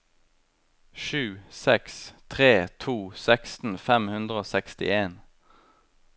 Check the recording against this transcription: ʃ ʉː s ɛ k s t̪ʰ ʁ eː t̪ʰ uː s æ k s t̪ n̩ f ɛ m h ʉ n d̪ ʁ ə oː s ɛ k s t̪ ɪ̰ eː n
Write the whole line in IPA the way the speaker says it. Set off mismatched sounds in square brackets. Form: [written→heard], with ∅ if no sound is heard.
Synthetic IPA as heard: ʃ ʉː s ɛ k s t̪ʰ ʁ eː t̪ʰ uː s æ k s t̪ n̩ f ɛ m h ʉ n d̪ ʁ ə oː s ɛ k s t̪ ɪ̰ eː n

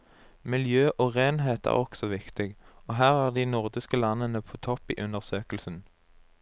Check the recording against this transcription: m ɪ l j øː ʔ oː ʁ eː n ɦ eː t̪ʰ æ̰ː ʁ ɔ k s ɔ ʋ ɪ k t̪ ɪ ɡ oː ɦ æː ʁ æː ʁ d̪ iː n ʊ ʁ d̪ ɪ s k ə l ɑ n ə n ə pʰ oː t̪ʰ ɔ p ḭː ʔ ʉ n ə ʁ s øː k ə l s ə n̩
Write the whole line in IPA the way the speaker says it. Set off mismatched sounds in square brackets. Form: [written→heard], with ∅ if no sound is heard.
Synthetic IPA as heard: m ɪ l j øː ʔ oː ʁ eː n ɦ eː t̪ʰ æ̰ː ʁ ɔ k s ɔ ʋ ɪ k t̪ ɪ ɡ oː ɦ æː ʁ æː ʁ d̪ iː n ʊ ʁ d̪ ɪ s k ə l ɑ n ə n ə pʰ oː t̪ʰ ɔ p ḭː ʔ ʉ n ə ʁ s øː k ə l s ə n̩

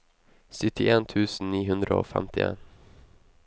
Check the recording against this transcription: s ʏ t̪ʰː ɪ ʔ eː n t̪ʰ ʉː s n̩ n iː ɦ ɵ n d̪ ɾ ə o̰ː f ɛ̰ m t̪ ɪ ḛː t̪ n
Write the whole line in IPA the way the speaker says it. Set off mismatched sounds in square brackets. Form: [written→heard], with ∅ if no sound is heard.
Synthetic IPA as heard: s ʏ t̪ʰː ɪ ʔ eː n t̪ʰ ʉː s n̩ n iː ɦ ɵ n d̪ ɾ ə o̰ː f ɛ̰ m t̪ ɪ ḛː [t̪→∅] n

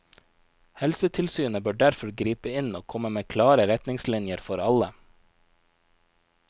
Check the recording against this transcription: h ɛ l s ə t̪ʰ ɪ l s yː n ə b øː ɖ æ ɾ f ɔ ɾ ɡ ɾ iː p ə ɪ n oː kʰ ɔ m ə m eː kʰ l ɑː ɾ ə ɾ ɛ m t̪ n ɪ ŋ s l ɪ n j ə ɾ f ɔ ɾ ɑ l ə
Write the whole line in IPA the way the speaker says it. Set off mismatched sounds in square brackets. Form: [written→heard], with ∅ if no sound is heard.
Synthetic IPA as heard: h ɛ l s ə t̪ʰ ɪ l s yː n ə b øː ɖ æ ɾ f ɔ ɾ ɡ ɾ iː p ə ɪ n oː kʰ ɔ m ə m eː kʰ l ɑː ɾ ə ɾ ɛ [m→∅] t̪ n ɪ ŋ s l ɪ n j ə ɾ f ɔ ɾ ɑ l ə

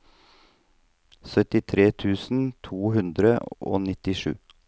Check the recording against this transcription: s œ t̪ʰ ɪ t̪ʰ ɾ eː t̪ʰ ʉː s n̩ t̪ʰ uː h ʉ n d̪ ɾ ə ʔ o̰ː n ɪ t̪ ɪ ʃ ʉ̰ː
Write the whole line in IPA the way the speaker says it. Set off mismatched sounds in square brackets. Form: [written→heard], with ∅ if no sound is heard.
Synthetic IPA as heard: s œ [t̪ʰ→t̪] ɪ t̪ʰ ɾ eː t̪ʰ ʉː s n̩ t̪ʰ uː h ʉ n d̪ ɾ ə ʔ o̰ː n ɪ t̪ ɪ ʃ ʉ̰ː

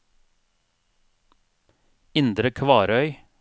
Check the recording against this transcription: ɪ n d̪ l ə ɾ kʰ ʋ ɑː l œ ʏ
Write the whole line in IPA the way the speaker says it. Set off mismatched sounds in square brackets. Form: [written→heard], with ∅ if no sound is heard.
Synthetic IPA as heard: ɪ n d̪ [l→ɾ] ə [ɾ→∅] kʰ ʋ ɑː [l→ɾ] œ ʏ

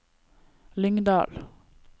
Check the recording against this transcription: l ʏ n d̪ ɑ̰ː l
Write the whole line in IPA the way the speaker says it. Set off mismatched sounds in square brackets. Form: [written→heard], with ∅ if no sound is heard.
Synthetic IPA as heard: l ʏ [n→ŋ] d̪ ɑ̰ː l

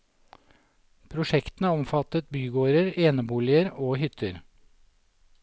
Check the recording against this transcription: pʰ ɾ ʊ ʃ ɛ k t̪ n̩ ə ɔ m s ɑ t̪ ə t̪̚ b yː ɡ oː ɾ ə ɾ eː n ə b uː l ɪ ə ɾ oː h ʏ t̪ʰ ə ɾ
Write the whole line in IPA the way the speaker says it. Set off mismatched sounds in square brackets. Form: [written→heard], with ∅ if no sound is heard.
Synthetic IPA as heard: pʰ ɾ ʊ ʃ ɛ k t̪ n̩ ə ɔ m [s→f] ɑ t̪ ə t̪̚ b yː ɡ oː ɾ ə ɾ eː n ə b uː l ɪ ə ɾ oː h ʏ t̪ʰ ə ɾ

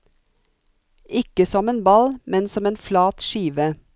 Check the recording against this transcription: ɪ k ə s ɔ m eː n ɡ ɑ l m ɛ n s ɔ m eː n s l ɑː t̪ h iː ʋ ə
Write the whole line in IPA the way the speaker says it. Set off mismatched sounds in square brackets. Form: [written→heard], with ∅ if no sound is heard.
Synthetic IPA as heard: ɪ k ə s ɔ m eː n [ɡ→b] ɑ l m ɛ n s ɔ m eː n [s→f] l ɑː t̪ [h→ʃ] iː ʋ ə

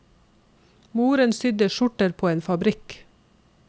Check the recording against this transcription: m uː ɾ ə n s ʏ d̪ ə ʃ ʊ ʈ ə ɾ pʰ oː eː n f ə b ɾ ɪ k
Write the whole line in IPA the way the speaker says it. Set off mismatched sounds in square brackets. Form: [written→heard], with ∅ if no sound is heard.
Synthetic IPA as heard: m uː ɾ ə n s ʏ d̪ ə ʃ ʊ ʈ ə ɾ pʰ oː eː n f [ə→ɑ] b ɾ ɪ k

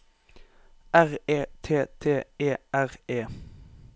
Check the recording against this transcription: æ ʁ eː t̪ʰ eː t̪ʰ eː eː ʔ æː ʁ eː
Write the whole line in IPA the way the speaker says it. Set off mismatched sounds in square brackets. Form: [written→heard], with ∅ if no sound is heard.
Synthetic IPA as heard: æ ʁ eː t̪ʰ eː t̪ʰ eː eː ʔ [æː→æ] ʁ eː

